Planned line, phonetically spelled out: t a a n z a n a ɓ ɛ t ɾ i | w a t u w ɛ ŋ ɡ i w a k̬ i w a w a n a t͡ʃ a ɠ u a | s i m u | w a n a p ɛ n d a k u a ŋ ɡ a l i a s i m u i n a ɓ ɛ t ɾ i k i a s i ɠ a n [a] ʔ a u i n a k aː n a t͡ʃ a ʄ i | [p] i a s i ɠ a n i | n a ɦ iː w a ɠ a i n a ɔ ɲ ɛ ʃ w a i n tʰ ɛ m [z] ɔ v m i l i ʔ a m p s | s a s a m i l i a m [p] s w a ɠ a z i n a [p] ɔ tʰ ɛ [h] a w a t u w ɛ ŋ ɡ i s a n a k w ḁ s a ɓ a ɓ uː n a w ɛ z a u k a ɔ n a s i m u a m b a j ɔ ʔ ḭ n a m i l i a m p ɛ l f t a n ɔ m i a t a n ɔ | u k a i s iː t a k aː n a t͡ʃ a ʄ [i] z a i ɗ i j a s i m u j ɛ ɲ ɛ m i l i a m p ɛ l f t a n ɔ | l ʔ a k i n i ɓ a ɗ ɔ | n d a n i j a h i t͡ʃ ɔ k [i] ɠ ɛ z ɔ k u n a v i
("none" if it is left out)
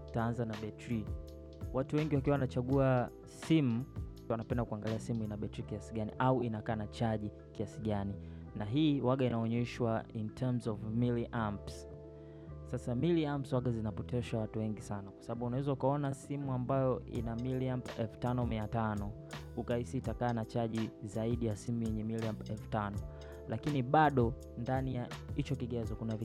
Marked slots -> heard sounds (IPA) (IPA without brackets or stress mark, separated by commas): i, k, z, p, p, ʃ, i, i